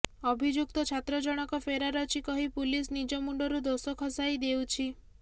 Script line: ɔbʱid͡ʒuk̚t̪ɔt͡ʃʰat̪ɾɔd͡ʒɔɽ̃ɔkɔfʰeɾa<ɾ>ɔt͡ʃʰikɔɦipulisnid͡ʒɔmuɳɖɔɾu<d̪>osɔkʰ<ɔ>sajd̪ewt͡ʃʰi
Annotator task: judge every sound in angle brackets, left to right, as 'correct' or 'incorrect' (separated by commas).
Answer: correct, correct, correct